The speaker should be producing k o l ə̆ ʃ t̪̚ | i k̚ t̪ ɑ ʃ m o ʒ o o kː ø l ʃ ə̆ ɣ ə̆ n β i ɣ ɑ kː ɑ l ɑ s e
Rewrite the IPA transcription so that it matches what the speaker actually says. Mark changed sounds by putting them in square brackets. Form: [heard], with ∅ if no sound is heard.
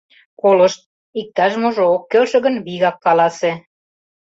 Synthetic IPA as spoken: k o l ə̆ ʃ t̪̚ | i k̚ t̪ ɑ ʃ m o ʒ o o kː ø l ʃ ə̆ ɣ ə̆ n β i ɣ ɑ kː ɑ l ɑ s e